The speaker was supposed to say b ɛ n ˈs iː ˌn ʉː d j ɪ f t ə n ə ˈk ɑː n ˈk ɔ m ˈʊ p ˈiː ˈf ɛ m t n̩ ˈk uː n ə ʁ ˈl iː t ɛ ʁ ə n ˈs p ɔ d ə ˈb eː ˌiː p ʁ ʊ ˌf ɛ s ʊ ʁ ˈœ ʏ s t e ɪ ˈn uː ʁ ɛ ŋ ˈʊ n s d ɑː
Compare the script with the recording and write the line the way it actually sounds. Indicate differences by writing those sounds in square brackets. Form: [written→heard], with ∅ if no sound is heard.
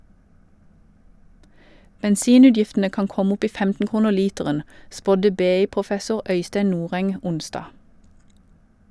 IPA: b ɛ n ˈs iː ˌn ʉː d j ɪ f t ə n ə ˈk ɑː n ˈk ɔ m ˈʊ p ˈiː ˈf ɛ m t n̩ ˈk uː n ə ʁ ˈl iː t ɛ ʁ ə n ˈs p ɔ d ə ˈb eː ˌiː p ʁ ʊ ˌf ɛ s ʊ ʁ ˈœ ʏ s t e ɪ ˈn uː ʁ ɛ ŋ ˈʊ n s d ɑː